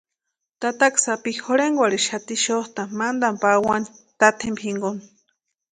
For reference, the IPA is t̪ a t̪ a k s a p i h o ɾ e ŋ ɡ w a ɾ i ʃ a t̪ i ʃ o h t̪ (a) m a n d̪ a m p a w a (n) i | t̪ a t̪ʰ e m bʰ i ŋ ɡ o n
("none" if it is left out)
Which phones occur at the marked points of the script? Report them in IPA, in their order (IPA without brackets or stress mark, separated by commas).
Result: a, n